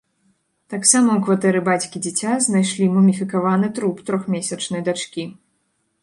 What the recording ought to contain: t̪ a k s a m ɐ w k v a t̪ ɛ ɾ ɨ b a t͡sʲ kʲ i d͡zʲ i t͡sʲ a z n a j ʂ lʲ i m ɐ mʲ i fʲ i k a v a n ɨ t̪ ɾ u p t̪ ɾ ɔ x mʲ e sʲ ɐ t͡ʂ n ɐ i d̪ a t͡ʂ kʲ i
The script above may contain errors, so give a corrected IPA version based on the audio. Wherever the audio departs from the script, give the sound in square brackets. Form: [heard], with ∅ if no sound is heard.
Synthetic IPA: t̪ a k s a m ɐ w k v a t̪ ɛ ɾ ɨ b a t͡sʲ kʲ i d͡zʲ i t͡sʲ a z n a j ʂ lʲ i m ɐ mʲ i fʲ i k a v a n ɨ t̪ ɾ u p t̪ ɾ ɔ x mʲ e sʲ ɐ t͡ʂ n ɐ [j] d̪ a t͡ʂ kʲ i